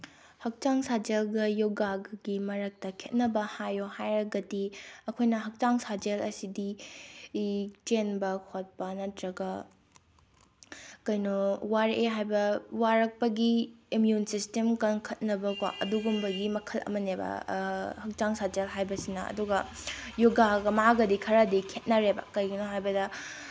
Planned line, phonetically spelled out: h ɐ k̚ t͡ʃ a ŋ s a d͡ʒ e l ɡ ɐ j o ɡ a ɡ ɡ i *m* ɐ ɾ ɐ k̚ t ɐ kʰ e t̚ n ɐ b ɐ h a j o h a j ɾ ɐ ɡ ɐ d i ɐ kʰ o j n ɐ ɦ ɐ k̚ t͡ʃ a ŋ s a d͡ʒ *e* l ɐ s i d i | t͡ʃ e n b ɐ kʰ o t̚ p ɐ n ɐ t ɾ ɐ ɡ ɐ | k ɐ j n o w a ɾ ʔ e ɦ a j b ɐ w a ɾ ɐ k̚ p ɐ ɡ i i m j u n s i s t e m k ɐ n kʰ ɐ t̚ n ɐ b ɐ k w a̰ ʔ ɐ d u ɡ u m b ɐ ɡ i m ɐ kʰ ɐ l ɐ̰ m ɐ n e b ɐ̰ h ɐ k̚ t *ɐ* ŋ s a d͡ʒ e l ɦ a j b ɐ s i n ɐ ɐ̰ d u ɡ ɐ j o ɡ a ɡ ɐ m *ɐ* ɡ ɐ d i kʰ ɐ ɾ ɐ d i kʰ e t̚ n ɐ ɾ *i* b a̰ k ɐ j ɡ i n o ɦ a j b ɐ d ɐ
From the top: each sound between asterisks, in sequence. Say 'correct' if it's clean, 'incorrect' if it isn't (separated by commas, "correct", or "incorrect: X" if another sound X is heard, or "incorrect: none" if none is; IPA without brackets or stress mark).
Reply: correct, correct, incorrect: a, incorrect: a, incorrect: e